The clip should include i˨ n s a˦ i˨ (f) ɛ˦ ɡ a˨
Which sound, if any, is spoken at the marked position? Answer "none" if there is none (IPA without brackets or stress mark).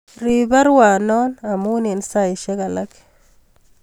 ʃ